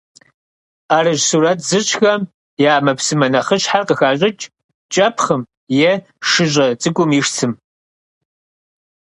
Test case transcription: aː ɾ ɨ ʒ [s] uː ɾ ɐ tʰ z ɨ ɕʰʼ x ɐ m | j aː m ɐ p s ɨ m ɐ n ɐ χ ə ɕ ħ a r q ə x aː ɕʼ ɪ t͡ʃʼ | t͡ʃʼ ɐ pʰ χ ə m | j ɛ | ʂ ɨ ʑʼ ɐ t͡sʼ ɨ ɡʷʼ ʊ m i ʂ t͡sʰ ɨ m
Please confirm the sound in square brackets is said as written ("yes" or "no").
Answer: yes